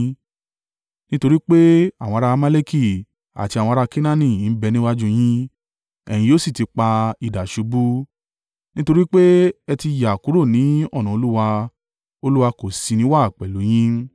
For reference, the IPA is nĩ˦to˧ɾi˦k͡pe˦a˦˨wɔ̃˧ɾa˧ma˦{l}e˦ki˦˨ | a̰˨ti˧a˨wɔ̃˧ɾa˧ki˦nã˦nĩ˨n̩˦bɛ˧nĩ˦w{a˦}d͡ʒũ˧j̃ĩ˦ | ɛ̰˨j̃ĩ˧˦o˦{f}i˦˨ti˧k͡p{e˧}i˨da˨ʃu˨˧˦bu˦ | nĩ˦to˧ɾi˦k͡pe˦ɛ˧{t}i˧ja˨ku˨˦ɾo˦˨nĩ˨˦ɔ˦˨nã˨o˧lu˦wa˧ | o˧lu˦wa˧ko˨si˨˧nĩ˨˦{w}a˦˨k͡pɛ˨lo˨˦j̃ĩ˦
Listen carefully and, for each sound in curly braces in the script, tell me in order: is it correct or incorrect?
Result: correct, correct, incorrect: s, incorrect: a˧, correct, correct

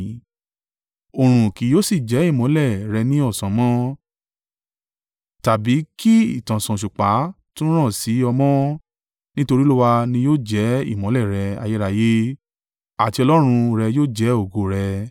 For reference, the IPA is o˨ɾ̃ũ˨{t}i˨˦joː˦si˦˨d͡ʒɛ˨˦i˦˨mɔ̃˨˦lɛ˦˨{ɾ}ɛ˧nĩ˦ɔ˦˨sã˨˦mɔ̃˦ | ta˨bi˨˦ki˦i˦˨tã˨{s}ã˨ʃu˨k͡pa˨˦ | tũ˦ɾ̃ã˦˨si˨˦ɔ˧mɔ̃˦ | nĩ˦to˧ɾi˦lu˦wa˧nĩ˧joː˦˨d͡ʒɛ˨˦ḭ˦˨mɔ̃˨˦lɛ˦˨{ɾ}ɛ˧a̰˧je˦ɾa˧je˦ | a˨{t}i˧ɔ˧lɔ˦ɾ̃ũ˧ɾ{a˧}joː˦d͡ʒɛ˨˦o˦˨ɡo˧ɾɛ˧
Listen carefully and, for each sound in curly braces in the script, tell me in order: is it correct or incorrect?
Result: incorrect: k, correct, correct, correct, correct, incorrect: ɛ˧

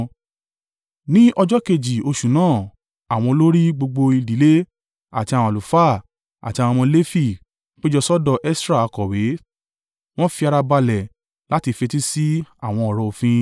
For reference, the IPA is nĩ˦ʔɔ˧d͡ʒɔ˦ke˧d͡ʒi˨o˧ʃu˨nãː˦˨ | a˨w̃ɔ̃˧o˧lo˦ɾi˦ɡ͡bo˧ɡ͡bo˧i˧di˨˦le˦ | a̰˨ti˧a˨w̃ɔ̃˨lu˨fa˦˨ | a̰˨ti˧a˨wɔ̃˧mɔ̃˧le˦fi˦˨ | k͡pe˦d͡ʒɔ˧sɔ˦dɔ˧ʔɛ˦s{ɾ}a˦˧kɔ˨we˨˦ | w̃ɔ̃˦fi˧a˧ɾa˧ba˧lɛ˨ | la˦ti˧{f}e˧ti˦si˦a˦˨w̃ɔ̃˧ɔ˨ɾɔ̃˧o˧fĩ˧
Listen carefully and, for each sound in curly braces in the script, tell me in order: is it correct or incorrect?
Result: correct, correct

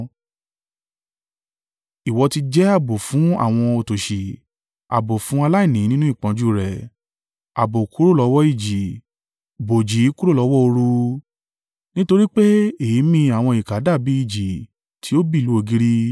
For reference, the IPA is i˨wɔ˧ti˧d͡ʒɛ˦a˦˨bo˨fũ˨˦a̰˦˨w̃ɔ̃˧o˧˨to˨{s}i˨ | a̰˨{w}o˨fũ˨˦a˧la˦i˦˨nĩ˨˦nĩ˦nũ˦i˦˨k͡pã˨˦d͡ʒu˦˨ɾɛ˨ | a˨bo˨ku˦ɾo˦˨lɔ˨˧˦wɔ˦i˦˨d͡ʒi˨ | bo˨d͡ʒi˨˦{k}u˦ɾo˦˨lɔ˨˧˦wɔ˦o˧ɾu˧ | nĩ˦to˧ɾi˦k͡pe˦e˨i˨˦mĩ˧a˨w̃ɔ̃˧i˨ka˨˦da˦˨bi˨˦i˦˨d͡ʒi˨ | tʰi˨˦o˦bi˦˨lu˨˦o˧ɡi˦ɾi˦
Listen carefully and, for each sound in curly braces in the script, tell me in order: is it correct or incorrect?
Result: incorrect: ʃ, incorrect: b, correct

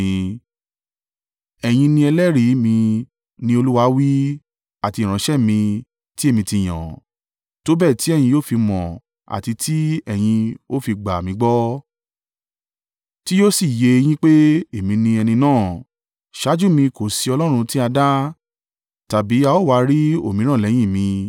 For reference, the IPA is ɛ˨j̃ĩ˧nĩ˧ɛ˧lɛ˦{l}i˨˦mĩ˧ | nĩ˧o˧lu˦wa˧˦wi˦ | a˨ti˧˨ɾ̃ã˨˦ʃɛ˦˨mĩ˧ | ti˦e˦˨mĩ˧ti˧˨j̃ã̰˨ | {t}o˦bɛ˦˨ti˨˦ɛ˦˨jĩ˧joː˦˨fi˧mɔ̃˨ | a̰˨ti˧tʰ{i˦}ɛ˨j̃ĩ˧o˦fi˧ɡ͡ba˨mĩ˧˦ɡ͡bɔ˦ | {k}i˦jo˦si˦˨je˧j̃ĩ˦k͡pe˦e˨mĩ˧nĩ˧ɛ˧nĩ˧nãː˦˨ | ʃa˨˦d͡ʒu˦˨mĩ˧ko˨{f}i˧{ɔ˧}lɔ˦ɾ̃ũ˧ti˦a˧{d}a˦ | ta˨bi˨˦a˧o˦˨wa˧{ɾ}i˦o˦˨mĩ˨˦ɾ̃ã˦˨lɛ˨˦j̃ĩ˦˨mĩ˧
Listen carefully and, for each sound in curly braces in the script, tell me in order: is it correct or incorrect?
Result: incorrect: ɾ, correct, correct, incorrect: t, incorrect: s, correct, correct, correct

